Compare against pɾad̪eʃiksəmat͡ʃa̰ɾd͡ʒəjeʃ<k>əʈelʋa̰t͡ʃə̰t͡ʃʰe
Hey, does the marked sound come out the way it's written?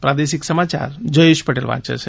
no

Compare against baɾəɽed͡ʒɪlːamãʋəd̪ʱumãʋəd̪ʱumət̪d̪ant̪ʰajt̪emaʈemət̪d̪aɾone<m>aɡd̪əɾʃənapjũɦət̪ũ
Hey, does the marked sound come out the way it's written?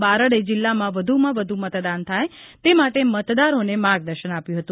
yes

